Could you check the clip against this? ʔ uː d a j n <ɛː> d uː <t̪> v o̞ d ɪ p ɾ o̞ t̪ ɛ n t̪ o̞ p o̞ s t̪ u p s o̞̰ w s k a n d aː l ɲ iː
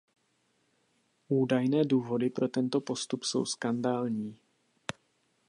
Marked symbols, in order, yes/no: yes, no

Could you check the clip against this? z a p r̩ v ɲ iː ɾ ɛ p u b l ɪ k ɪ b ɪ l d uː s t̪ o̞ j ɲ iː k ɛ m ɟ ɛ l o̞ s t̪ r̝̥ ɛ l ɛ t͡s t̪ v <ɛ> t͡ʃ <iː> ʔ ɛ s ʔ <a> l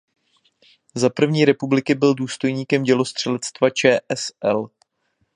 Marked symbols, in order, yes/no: no, no, no

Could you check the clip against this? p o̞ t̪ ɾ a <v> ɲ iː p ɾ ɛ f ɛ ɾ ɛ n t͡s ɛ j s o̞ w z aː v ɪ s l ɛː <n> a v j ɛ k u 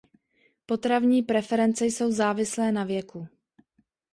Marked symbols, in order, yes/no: yes, yes

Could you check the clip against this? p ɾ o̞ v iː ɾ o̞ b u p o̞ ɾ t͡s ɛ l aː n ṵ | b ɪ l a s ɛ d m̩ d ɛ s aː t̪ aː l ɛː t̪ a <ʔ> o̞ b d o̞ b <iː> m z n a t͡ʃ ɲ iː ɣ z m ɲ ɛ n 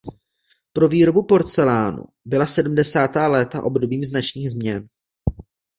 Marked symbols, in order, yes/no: yes, yes

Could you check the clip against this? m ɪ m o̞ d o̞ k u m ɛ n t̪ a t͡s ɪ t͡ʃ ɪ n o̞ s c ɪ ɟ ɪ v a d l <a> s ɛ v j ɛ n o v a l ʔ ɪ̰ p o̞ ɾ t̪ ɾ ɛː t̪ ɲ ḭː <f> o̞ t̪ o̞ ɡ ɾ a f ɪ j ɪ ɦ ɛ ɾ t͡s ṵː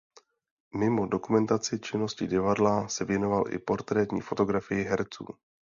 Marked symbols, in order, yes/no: yes, yes

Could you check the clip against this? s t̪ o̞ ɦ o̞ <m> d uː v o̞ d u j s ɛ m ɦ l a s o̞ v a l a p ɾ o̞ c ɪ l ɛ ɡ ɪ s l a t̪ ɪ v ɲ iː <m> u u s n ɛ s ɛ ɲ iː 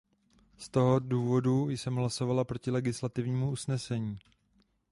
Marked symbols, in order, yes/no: no, yes

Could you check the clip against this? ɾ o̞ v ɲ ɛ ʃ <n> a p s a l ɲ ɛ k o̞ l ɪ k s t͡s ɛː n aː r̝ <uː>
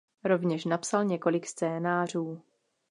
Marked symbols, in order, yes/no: yes, yes

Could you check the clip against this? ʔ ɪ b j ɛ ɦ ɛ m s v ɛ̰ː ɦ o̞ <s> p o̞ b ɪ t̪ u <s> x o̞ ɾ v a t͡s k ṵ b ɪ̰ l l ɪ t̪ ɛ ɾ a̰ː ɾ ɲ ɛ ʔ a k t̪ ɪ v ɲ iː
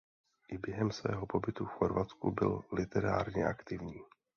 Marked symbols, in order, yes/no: no, no

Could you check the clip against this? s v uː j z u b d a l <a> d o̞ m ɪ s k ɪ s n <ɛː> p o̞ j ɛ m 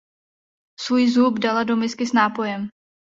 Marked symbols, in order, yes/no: yes, no

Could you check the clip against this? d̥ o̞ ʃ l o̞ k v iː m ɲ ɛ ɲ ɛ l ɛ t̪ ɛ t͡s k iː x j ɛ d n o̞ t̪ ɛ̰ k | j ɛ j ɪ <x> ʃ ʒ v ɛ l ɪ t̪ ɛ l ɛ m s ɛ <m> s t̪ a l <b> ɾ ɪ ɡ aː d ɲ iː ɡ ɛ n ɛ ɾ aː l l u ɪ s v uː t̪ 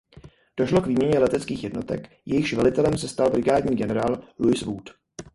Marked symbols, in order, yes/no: yes, no, yes

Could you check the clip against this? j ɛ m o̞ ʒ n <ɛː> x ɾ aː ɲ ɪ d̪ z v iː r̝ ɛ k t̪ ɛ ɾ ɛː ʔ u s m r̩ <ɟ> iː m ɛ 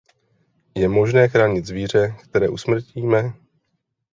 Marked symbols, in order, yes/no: yes, no

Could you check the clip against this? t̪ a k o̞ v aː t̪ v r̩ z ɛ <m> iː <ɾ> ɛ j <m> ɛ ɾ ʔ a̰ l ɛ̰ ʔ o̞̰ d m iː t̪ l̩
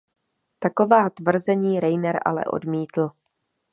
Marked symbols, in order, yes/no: no, yes, no

